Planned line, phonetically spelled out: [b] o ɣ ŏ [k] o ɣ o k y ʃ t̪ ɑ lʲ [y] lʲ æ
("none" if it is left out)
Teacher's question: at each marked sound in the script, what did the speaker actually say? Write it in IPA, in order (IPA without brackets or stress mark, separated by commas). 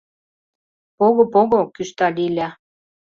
p, p, i